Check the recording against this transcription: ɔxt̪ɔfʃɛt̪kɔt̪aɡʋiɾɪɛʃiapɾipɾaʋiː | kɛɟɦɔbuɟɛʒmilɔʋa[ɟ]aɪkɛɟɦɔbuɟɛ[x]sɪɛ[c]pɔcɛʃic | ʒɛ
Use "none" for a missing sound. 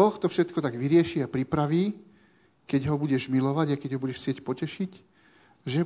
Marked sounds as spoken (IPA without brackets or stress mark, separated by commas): ɟ, ʃ, c